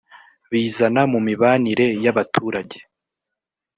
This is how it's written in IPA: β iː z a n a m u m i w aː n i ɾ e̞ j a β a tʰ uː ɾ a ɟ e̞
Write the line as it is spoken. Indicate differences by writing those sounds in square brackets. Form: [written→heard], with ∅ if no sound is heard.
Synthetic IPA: β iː z a n a m u m i [w→β] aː n i ɾ e̞ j a β a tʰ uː ɾ a ɟ e̞